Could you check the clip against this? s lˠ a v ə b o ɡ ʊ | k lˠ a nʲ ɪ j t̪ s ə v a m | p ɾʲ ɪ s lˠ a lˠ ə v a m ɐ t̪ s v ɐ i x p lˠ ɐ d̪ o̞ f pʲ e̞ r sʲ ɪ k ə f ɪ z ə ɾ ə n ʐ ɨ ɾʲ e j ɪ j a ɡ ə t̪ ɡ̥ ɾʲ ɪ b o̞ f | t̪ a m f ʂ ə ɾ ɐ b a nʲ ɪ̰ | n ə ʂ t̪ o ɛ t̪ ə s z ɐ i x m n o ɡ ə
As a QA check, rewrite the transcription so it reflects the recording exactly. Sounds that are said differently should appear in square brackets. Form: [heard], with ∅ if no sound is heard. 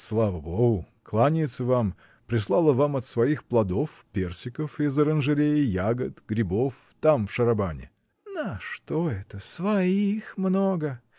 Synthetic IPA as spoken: s lˠ a v ə b o ɡ ʊ | k lˠ a nʲ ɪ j t̪ s ə v a m | p ɾʲ ɪ s lˠ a lˠ ə v a m ɐ t̪ s v ɐ i x p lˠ ɐ d̪ o̞ f pʲ e̞ r sʲ ɪ k ə f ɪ z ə ɾ ə n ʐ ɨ ɾʲ e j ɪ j a ɡ ə t̪ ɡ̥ ɾʲ ɪ b o̞ f | t̪ a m f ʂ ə ɾ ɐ b a nʲ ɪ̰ | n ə ʂ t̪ o ɛ t̪ ə s [v] ɐ i x m n o ɡ ə